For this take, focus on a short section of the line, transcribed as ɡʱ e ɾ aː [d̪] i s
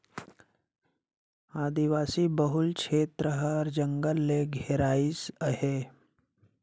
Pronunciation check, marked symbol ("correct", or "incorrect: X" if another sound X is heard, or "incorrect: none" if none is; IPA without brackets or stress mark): incorrect: none